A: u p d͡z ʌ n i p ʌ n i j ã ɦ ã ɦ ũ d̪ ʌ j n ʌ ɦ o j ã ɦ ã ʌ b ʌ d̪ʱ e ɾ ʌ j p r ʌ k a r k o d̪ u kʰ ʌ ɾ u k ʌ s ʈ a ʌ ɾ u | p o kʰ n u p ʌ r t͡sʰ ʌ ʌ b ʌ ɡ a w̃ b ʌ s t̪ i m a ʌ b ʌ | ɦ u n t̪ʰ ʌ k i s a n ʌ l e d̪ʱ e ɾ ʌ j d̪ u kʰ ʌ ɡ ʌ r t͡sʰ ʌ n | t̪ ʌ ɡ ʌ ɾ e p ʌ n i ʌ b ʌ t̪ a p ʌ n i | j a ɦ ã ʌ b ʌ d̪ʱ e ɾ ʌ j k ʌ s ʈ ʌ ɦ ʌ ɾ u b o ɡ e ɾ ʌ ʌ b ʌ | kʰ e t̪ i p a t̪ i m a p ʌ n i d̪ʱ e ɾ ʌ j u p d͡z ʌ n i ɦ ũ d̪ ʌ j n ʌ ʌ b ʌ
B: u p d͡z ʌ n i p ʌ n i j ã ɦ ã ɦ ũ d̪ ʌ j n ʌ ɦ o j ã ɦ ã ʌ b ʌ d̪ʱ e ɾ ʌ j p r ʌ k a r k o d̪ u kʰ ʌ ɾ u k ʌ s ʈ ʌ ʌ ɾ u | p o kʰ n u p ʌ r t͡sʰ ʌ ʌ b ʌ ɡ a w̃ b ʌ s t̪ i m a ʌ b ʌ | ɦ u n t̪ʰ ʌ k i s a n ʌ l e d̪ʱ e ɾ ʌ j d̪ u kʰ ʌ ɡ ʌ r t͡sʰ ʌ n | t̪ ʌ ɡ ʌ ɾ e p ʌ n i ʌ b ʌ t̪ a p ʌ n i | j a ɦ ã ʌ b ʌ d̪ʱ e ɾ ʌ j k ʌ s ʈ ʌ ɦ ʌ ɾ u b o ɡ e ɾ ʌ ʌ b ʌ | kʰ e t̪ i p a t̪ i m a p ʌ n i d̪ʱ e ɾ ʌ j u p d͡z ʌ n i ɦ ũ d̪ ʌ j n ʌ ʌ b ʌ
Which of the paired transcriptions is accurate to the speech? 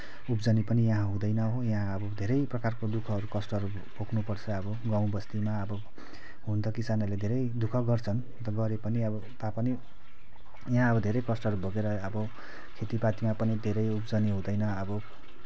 B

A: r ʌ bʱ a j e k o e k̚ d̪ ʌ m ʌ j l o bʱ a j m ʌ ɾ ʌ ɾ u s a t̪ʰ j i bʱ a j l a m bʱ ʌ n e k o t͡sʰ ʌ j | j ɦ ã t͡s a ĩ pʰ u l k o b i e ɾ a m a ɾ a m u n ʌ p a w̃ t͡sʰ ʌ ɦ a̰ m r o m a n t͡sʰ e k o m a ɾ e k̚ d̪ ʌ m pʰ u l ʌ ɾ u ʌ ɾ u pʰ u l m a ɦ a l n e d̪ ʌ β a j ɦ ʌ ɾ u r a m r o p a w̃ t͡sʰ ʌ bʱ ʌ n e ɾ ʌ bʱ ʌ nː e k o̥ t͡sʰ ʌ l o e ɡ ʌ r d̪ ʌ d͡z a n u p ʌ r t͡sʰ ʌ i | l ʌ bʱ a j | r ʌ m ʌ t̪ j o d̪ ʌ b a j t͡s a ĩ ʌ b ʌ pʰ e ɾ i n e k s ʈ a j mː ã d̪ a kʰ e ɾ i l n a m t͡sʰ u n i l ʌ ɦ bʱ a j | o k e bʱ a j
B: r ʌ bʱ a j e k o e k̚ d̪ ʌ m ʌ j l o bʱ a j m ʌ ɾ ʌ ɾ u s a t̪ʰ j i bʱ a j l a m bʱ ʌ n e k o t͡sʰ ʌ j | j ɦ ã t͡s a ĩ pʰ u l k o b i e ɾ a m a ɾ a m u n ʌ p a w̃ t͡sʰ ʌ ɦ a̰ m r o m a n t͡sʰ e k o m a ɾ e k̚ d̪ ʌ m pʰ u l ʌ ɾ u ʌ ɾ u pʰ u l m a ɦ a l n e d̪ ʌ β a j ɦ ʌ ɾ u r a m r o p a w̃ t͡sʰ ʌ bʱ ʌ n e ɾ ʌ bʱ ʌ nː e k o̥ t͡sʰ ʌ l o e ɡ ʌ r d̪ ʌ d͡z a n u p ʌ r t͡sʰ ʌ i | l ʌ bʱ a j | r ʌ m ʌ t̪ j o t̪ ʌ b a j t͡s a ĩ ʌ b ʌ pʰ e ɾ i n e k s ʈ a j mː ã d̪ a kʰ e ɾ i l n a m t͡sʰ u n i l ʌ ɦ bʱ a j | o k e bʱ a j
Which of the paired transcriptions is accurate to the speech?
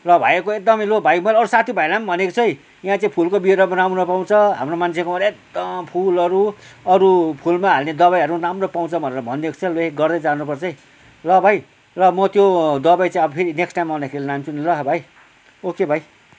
A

